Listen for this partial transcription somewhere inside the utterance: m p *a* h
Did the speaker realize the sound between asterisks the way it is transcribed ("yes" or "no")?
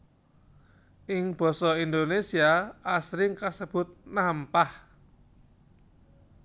yes